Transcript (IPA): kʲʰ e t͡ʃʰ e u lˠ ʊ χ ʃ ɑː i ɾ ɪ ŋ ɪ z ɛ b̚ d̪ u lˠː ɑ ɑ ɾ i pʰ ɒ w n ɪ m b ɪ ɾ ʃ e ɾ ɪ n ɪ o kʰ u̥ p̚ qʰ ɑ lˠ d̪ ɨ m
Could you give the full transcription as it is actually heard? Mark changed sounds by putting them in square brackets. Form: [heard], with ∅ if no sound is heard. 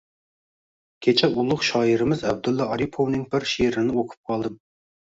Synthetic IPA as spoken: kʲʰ e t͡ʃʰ [ɛ] u lˠ ʊ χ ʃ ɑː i ɾ ɪ [m] ɪ z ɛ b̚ d̪ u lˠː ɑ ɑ ɾ i pʰ [o] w n ɪ [ŋ] b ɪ ɾ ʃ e ɾ ɪ n ɪ o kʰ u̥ p̚ qʰ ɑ lˠ d̪ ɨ m